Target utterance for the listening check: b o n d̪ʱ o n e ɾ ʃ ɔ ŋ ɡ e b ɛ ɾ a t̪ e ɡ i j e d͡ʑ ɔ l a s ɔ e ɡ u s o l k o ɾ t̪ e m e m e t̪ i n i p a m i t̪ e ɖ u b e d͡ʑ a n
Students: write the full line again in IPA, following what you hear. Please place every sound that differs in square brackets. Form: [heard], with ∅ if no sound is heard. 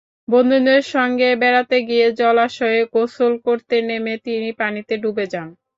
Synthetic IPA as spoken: b o n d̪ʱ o n e ɾ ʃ ɔ ŋ ɡ e b ɛ ɾ a t̪ e ɡ i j e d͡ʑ ɔ l a [ʃ] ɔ e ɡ [o] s o l k o ɾ t̪ e [n] e m e t̪ i n i p a [n] i t̪ e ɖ u b e d͡ʑ a n